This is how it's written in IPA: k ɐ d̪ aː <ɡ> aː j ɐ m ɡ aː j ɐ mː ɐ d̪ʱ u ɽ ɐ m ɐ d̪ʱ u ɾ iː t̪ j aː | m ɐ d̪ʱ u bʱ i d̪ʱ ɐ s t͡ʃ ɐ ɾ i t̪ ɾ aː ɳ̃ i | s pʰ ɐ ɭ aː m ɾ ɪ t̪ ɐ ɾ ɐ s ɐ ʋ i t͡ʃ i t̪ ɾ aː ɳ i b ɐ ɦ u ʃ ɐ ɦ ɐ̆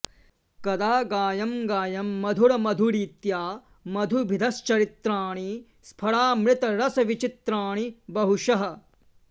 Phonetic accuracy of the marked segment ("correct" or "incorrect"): correct